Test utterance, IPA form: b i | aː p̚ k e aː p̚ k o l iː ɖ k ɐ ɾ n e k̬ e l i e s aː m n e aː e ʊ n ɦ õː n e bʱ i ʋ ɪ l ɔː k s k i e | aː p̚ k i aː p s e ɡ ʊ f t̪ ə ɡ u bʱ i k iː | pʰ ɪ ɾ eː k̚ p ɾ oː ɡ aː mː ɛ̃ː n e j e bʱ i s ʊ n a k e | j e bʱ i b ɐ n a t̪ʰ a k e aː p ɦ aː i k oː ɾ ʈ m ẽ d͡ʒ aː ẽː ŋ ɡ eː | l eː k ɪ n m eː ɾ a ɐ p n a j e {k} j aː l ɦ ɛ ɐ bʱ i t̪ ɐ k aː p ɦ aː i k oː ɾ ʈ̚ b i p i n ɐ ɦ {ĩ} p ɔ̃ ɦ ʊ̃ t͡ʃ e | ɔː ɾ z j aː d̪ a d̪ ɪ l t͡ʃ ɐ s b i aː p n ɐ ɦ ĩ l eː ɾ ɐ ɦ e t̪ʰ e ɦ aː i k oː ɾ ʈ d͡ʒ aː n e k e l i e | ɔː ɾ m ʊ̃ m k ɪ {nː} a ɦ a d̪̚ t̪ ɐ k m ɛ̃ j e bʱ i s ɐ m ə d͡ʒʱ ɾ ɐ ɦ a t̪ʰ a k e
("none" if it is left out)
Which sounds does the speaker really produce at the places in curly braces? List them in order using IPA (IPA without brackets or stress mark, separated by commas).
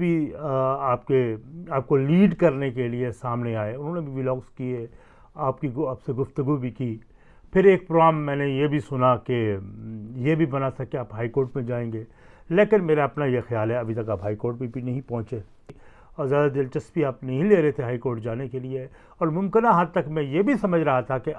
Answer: x, ĩ, n